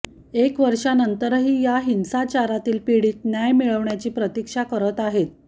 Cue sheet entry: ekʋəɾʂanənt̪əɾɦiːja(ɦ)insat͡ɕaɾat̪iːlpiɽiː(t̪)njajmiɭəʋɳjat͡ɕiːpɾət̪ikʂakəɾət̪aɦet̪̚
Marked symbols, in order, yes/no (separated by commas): yes, yes